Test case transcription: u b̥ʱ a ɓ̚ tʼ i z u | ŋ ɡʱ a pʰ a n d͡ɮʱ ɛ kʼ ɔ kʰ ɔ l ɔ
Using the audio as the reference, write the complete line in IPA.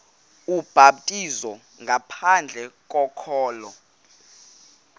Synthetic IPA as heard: u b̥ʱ a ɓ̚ tʼ i z ɔ | ŋ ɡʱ a pʰ a n d͡ɮʱ ɛ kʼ ɔ kʰ ɔː l ɔ